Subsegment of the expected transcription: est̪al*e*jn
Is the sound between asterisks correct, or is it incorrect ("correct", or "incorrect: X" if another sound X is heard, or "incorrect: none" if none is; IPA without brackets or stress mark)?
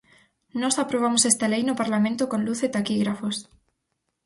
correct